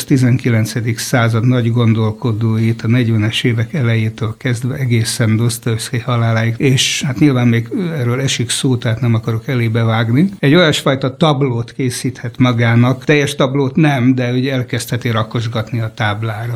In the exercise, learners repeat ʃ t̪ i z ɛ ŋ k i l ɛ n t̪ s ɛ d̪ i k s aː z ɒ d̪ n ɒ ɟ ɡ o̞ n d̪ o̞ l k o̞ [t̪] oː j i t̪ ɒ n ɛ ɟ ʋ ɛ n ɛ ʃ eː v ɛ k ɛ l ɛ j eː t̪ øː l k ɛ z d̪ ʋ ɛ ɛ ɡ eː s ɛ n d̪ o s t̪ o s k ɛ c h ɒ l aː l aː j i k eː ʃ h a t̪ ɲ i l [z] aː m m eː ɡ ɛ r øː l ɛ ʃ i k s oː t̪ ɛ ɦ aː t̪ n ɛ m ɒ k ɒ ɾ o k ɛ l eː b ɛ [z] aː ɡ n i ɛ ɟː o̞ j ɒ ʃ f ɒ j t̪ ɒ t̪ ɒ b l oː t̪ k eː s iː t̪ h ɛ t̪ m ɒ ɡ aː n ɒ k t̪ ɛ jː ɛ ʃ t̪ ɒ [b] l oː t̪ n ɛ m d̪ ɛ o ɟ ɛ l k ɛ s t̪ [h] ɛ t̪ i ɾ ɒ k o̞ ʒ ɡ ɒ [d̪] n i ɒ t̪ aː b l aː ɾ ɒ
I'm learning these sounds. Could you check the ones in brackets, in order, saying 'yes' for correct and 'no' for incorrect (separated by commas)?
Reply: no, no, no, yes, yes, no